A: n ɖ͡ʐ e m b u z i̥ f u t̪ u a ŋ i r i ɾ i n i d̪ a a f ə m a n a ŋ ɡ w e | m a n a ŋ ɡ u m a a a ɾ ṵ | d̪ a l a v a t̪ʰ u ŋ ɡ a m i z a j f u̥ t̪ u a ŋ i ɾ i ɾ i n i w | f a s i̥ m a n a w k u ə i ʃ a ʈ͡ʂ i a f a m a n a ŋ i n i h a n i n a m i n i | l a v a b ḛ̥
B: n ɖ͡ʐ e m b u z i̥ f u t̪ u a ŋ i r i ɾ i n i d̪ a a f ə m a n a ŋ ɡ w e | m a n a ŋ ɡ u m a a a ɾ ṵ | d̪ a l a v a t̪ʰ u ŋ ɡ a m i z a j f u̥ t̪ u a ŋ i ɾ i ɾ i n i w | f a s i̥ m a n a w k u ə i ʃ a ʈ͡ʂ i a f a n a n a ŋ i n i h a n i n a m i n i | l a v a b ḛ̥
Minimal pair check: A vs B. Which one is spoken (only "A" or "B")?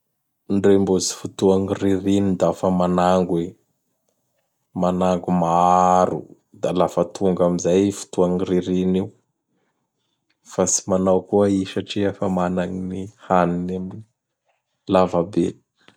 A